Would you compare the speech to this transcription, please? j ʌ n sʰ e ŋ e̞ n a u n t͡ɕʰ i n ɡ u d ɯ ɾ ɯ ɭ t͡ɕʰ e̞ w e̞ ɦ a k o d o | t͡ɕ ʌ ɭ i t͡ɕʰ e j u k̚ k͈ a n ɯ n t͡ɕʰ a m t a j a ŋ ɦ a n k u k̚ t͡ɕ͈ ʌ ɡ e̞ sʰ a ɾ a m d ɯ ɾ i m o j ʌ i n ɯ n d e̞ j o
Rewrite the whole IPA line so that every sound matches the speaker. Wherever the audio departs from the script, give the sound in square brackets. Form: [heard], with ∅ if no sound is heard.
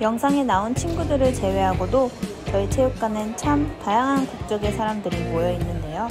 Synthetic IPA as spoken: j ʌ [ŋ] sʰ [a] ŋ e̞ n a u n t͡ɕʰ i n ɡ u d ɯ ɾ ɯ ɭ [t͡ɕ] e̞ w e̞ ɦ a [ɡ] o d o | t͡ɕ ʌ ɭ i t͡ɕʰ e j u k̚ k͈ a n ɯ n t͡ɕʰ a m t a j a ŋ ɦ a n k u k̚ t͡ɕ͈ ʌ ɡ e̞ sʰ a ɾ a m d ɯ ɾ i m o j ʌ i [nː] ɯ n d e̞ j o